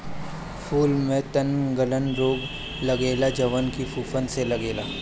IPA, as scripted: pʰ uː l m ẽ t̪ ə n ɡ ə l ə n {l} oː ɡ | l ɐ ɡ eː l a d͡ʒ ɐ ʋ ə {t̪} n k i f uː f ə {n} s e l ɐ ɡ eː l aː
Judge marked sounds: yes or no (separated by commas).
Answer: no, no, yes